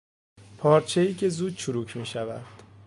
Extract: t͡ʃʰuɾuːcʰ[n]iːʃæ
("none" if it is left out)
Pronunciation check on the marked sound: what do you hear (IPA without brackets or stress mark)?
m